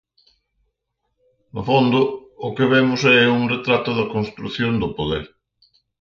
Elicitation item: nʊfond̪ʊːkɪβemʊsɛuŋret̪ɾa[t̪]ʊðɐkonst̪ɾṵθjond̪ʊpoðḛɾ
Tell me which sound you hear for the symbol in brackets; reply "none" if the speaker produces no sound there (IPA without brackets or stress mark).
t̪